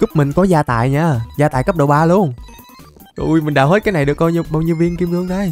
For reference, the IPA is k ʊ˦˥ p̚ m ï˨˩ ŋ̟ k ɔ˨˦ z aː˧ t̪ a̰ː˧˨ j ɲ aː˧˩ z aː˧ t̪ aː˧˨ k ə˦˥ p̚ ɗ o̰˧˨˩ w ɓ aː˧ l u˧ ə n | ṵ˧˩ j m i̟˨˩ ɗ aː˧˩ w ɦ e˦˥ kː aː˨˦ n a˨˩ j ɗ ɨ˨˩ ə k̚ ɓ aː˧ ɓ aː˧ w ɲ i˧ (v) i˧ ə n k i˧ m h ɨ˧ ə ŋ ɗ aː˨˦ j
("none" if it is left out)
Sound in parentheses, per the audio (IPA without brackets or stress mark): v